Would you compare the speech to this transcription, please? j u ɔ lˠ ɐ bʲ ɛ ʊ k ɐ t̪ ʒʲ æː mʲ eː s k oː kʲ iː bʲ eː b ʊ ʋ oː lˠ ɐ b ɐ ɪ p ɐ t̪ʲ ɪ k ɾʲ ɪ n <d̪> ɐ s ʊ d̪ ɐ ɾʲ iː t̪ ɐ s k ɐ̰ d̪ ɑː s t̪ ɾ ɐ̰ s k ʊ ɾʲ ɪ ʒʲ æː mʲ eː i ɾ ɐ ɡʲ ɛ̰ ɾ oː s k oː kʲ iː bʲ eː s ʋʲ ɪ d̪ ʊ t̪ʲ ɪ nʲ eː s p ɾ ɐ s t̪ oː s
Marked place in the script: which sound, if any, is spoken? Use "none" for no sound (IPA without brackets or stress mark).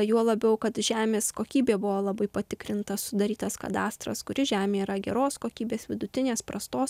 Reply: t̪